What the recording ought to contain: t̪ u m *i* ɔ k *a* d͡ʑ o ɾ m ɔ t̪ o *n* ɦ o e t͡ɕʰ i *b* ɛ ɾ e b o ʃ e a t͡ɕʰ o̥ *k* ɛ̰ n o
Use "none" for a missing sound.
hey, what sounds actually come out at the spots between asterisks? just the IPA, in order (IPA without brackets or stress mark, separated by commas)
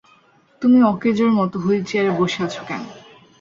i, e, none, none, k